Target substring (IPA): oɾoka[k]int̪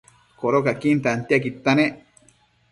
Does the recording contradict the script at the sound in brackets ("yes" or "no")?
no